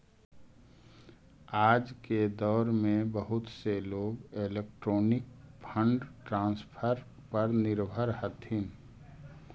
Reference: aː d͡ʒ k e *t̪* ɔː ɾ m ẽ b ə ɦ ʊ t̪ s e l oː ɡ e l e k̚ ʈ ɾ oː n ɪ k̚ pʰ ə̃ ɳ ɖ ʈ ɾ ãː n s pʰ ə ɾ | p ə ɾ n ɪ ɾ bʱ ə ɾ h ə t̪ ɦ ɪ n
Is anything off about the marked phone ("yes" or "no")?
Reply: yes